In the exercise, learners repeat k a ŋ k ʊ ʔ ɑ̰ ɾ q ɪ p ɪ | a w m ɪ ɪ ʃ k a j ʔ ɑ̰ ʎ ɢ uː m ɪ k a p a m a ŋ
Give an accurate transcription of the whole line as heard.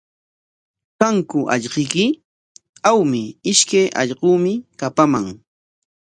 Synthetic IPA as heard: k a ŋ k ʊ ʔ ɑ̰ ʎ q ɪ k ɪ | a w m ɪ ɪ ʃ k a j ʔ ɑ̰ ʎ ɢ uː m ɪ k a p a m a ŋ